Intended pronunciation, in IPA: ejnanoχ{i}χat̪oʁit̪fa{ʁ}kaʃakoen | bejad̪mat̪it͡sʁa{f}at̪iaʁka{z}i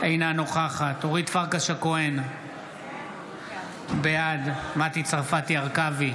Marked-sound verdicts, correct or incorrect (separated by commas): incorrect, correct, correct, incorrect